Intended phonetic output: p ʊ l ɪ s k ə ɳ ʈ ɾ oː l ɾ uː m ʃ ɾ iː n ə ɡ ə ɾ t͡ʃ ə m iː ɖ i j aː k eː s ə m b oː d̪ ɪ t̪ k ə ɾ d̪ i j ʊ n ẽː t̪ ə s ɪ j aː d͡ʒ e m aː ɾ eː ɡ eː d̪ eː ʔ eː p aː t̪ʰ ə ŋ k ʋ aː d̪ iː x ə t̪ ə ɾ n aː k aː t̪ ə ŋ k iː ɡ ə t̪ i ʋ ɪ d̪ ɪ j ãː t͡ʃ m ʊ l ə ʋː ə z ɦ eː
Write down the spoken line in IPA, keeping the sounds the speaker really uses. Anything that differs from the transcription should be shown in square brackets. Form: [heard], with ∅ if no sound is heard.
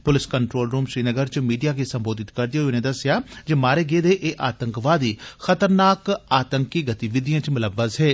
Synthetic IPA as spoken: p ʊ l ɪ s k ə ɳ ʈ ɾ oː l ɾ uː m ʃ ɾ iː n ə ɡ ə ɾ t͡ʃ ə m iː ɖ i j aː k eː s ə m b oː d̪ ɪ t̪ k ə ɾ d̪ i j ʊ n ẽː [d̪] ə s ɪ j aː d͡ʒ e m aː ɾ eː ɡ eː d̪ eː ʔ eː [ʔ] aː [t̪] ə ŋ k ʋ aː d̪ iː x ə t̪ ə ɾ n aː k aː t̪ ə ŋ k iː ɡ ə t̪ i ʋ ɪ d̪ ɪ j ãː t͡ʃ m ʊ l ə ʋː ə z ɦ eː